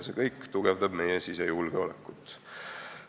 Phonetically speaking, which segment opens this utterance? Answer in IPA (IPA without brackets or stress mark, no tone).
s